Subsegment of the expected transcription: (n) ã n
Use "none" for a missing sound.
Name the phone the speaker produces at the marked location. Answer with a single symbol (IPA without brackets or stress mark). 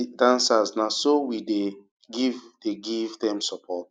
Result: d